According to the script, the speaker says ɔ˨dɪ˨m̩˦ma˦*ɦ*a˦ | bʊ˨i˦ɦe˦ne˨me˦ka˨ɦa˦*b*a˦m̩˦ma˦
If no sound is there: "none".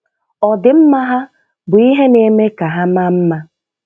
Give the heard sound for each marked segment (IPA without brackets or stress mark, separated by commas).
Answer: ɦ, m